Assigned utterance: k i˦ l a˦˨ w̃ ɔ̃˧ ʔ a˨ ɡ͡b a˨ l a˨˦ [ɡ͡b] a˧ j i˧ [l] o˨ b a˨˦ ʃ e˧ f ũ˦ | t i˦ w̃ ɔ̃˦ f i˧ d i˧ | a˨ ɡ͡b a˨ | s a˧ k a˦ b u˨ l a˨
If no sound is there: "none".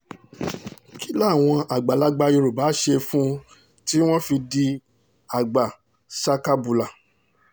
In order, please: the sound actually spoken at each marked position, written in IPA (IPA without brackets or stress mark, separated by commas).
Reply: ɡ͡b, ɾ